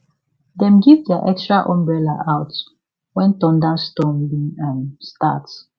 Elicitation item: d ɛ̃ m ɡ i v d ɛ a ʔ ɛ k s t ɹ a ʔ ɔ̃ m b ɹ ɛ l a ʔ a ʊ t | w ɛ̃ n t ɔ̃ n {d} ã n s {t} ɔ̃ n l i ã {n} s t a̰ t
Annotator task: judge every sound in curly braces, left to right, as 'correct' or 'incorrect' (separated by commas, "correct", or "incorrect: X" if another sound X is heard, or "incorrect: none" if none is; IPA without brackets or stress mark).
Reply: correct, correct, correct